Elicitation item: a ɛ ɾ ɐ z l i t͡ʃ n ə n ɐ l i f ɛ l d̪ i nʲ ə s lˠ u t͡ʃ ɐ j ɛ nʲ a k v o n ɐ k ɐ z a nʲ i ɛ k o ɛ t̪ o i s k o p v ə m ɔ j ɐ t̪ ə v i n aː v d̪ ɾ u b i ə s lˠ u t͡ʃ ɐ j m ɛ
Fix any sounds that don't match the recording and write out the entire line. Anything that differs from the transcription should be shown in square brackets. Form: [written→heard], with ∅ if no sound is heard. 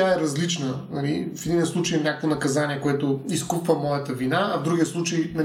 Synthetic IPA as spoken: a ɛ ɾ ɐ z l i t͡ʃ n ə n ɐ l i f ɛ [l→∅] d̪ i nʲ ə s lˠ u t͡ʃ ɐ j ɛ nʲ a k v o n ɐ k ɐ z a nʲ i ɛ k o ɛ t̪ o i s k [o→u] p v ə m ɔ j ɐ t̪ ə v i n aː v d̪ ɾ u [b→ɡ] i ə s lˠ u t͡ʃ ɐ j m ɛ